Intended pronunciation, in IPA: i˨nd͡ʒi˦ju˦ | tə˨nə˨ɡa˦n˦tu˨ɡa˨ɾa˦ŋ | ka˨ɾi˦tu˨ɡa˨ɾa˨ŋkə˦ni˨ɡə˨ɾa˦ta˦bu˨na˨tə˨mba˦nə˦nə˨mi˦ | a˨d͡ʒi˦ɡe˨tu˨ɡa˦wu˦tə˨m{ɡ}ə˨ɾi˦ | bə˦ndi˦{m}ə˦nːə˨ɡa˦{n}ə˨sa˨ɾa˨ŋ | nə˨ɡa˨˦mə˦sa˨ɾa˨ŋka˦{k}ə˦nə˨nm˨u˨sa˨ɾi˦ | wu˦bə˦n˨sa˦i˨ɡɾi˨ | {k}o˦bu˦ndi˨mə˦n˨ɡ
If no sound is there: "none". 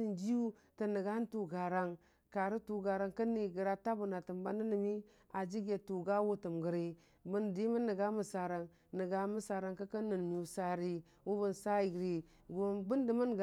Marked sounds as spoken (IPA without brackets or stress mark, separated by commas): ɡ, m, m, k, ɡ